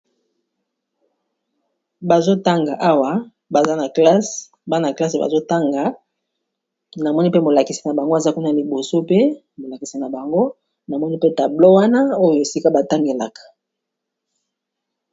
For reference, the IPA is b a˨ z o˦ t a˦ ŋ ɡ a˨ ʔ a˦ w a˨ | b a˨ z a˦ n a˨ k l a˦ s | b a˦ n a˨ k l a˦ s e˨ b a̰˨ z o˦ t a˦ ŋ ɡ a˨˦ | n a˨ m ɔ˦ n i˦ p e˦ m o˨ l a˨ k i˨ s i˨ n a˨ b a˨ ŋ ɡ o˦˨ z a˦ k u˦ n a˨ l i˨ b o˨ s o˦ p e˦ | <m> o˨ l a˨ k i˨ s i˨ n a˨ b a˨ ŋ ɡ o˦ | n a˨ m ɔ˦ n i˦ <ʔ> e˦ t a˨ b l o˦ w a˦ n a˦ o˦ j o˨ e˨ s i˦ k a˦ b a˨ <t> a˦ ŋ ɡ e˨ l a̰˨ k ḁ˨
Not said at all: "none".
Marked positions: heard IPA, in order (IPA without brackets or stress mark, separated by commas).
m, p, t